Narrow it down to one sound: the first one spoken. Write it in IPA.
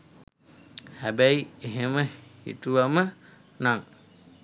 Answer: h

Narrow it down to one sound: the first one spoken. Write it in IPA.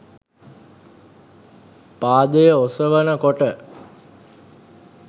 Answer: p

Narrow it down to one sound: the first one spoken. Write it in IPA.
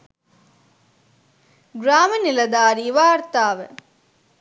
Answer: ɡ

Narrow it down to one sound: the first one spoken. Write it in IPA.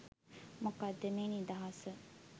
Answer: m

